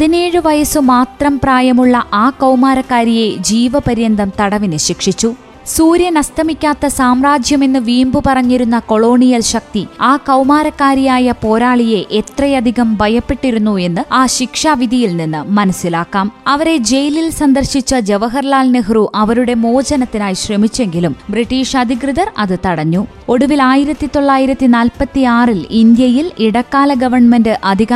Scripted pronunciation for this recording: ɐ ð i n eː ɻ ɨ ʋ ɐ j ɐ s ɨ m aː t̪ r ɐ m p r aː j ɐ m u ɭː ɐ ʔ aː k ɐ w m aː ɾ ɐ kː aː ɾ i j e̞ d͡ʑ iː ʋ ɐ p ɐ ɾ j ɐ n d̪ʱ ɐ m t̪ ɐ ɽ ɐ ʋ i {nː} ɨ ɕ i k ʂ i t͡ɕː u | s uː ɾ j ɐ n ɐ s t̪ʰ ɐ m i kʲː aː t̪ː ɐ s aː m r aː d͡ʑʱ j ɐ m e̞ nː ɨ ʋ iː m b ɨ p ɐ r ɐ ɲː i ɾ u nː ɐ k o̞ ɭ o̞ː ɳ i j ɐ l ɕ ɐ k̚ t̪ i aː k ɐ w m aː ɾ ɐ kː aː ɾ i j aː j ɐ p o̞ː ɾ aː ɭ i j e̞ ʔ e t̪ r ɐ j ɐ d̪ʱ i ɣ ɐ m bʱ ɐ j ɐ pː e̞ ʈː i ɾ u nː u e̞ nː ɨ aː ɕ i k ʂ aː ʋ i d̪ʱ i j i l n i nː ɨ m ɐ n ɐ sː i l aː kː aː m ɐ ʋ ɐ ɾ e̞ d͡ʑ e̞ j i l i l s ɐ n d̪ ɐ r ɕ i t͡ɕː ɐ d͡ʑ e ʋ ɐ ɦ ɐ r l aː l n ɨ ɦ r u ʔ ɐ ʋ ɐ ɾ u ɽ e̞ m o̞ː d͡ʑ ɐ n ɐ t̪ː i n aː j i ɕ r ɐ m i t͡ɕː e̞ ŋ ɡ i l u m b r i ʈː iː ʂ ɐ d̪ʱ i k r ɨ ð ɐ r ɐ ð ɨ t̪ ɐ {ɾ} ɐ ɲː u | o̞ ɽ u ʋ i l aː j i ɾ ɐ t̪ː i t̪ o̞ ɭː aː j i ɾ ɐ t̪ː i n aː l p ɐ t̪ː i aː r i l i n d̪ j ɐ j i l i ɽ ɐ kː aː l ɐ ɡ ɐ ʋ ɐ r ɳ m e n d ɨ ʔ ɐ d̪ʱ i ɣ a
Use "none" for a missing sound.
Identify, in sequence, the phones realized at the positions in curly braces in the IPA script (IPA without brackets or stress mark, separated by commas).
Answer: n, ɽ